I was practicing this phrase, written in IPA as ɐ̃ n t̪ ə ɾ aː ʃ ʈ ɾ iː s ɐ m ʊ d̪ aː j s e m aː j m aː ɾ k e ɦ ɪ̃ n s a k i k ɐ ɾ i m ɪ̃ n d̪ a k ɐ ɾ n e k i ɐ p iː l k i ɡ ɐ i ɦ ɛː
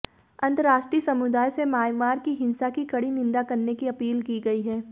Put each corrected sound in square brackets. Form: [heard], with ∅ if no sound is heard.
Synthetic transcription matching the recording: ɐ̃ n t̪ ə ɾ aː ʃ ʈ ɾ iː s ɐ m ʊ d̪ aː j s e m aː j m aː ɾ k [i] ɦ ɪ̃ n s a k i k ɐ [ɽ] i [n] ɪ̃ n d̪ a k ɐ ɾ n e k i ɐ p iː l k i ɡ ɐ i ɦ ɛː